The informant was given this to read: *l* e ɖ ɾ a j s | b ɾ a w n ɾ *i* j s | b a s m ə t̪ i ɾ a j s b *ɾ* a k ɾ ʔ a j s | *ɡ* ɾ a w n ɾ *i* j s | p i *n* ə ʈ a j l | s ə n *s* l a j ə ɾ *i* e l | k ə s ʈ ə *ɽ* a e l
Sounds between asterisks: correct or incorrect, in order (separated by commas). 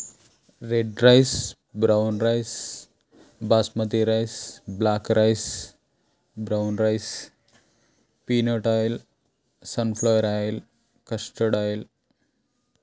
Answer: incorrect, incorrect, incorrect, incorrect, incorrect, correct, incorrect, incorrect, correct